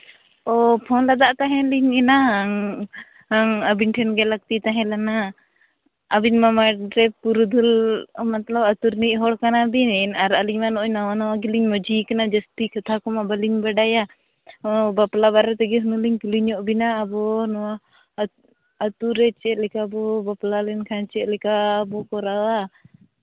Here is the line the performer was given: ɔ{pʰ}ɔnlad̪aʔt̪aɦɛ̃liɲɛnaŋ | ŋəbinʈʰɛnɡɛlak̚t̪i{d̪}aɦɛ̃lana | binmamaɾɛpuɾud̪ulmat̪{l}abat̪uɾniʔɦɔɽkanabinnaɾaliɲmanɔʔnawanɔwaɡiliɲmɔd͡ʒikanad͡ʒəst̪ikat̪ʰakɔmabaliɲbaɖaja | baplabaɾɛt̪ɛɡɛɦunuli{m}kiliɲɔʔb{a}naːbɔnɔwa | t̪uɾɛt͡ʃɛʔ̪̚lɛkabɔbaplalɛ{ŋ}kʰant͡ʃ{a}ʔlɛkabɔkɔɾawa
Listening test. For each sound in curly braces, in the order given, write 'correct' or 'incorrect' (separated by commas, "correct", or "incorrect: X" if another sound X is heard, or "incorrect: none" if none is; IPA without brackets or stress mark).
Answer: correct, incorrect: t̪, correct, incorrect: ɲ, incorrect: i, incorrect: n, incorrect: ɛ